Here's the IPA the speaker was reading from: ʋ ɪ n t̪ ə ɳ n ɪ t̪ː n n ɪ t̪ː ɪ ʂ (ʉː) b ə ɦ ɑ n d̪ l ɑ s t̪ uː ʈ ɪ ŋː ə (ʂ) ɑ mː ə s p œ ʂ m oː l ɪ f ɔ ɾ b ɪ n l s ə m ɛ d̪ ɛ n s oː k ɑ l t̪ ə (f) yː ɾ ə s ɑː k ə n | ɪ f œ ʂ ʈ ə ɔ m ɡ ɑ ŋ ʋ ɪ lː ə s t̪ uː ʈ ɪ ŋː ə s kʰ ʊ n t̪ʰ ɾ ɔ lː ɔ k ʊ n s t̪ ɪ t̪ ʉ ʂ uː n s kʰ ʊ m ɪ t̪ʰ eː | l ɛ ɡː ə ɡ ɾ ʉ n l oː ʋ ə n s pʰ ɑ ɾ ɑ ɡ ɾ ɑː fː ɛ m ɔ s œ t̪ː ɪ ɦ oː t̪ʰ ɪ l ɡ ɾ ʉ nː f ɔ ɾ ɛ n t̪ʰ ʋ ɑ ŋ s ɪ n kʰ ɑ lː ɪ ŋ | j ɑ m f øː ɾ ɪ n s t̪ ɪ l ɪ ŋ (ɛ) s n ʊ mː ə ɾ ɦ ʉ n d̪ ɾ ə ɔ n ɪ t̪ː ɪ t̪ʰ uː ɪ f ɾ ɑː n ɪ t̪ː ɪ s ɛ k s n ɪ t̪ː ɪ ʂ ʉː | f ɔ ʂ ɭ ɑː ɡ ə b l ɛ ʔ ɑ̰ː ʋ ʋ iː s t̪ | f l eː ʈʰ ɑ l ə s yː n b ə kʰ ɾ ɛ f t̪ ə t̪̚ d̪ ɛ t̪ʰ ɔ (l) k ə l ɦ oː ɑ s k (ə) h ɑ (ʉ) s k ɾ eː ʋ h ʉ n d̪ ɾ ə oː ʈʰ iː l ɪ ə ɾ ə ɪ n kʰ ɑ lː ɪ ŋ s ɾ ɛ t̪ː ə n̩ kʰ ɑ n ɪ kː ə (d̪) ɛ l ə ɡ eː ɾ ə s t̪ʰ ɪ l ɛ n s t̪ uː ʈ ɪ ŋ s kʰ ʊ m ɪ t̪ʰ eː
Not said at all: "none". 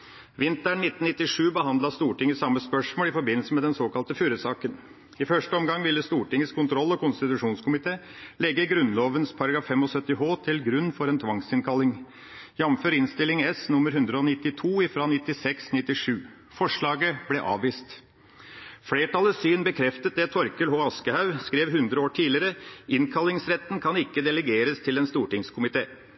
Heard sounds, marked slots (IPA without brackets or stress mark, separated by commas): ʉː, s, f, ɛ, ɾ, ə, ʉ, d̪